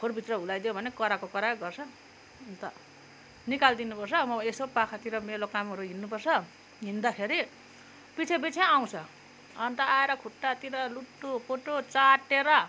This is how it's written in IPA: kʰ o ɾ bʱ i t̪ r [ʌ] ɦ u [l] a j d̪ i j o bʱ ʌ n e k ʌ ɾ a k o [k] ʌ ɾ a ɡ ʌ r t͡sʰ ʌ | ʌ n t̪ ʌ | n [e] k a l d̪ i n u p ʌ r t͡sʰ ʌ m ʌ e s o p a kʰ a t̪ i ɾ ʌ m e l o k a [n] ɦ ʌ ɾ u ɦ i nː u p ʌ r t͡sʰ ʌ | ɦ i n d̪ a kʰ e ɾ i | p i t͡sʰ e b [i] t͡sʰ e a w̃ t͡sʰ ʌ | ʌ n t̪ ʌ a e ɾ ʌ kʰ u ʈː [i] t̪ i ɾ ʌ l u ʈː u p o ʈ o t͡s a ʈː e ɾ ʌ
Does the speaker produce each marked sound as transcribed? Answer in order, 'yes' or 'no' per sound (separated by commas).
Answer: yes, yes, yes, no, no, yes, no